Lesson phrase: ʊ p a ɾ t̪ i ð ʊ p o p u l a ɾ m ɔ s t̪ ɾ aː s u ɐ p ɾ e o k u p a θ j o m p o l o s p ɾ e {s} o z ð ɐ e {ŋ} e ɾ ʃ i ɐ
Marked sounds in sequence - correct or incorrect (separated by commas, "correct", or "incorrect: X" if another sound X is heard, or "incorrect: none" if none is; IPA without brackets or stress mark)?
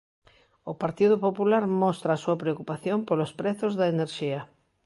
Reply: incorrect: θ, incorrect: n